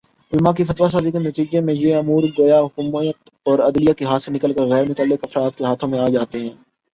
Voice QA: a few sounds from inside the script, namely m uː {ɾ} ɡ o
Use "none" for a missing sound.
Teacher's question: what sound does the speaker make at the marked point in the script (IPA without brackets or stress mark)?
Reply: ɾ